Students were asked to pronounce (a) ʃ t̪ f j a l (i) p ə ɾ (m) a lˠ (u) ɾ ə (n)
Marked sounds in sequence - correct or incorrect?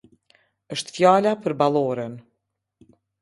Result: incorrect: ə, incorrect: a, incorrect: b, incorrect: ɔ, correct

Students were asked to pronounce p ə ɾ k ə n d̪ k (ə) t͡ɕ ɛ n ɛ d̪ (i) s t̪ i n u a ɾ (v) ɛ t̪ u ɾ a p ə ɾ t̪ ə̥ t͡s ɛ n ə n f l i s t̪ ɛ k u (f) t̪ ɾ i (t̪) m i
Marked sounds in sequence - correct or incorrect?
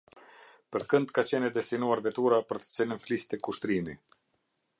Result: incorrect: a, incorrect: ɛ, correct, incorrect: ʃ, incorrect: none

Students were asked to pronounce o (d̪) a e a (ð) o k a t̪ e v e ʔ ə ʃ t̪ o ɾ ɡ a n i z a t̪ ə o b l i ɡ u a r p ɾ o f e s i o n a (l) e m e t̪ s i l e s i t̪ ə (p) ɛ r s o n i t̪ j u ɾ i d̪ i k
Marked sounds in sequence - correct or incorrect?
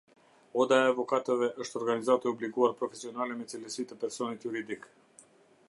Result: correct, incorrect: v, correct, correct

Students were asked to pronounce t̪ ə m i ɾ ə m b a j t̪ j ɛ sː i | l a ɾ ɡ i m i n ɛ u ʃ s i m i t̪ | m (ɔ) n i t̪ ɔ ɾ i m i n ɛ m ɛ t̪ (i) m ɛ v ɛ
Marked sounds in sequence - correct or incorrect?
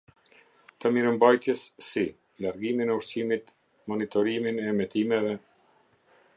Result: correct, correct

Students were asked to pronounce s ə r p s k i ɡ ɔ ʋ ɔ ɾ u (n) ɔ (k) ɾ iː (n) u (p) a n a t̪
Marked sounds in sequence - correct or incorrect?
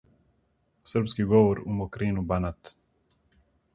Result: incorrect: m, correct, correct, incorrect: b

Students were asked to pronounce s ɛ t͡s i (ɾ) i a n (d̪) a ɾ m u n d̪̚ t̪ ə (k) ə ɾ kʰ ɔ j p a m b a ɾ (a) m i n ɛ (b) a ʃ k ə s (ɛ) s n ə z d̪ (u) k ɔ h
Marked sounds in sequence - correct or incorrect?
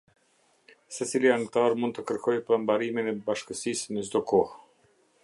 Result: incorrect: l, incorrect: t̪, correct, incorrect: i, correct, incorrect: i, incorrect: ɔ

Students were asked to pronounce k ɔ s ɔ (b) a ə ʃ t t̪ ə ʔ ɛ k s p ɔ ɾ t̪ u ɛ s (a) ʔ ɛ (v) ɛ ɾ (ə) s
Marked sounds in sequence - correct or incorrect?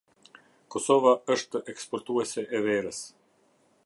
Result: incorrect: v, incorrect: ɛ, correct, correct

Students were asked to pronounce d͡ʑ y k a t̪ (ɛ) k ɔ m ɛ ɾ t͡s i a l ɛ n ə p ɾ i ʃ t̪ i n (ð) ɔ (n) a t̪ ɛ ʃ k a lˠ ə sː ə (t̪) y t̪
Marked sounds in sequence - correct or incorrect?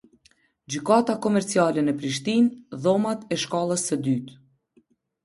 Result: incorrect: a, correct, incorrect: m, incorrect: d̪

